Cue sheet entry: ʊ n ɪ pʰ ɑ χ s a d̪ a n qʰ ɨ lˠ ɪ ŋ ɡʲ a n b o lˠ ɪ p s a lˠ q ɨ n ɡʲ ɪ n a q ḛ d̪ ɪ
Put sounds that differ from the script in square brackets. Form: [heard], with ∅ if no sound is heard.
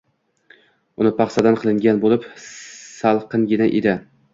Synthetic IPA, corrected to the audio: ʊ n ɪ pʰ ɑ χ s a d̪ a n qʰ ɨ lˠ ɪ ŋ ɡʲ a n b o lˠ ɪ p s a lˠ q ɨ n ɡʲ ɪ n a [ʔ] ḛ d̪ ɪ

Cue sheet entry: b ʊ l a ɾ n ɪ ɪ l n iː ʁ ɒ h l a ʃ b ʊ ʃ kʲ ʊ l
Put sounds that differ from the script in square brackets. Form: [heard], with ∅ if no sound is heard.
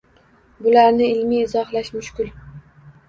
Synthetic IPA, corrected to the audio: b ʊ l a ɾ n ɪ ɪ l [m] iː [z] ɒ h l a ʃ [m] ʊ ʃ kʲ ʊ l

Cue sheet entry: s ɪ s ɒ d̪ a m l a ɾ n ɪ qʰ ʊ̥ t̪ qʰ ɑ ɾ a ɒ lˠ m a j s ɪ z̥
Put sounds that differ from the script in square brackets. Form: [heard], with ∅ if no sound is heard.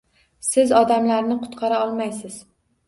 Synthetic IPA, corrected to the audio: s ɪ [z] ɒ d̪ a m l a ɾ n ɪ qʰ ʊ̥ t̪ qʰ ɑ ɾ a ɒ lˠ m a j s ɪ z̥

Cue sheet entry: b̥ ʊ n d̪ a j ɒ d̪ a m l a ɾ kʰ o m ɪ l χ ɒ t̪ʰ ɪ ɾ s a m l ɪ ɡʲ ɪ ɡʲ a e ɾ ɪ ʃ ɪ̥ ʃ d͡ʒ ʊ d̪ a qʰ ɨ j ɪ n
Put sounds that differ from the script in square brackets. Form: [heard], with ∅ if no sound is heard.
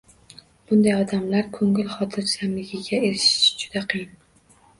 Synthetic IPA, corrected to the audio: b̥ ʊ n d̪ a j ɒ d̪ a m l a ɾ kʰ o [ŋ] ɪ l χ ɒ t̪ʰ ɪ ɾ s a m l ɪ ɡʲ ɪ ɡʲ a e ɾ ɪ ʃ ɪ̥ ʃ d͡ʒ ʊ d̪ a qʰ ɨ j ɪ n

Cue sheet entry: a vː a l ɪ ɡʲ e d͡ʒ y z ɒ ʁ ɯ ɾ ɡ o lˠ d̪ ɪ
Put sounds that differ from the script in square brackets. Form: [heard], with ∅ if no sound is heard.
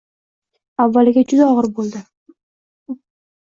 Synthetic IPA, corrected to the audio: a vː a l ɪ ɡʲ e d͡ʒ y z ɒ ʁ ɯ ɾ [b] o lˠ d̪ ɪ

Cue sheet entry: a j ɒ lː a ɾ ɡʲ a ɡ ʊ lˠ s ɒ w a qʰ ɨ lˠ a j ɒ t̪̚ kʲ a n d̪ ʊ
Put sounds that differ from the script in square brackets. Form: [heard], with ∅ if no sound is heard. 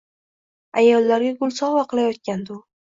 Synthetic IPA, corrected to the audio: a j ɒ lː a ɾ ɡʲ a ɡ ʊ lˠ s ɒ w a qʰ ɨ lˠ a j ɒ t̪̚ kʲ a n d̪ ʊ

